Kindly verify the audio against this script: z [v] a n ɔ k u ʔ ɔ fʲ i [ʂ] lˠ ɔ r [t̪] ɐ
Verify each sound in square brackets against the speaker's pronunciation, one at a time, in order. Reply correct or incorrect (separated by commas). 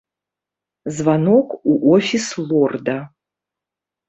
correct, incorrect, incorrect